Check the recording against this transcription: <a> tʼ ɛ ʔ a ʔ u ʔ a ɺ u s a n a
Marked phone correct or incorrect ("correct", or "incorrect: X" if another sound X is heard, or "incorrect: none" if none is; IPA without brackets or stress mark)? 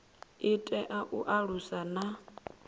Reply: incorrect: i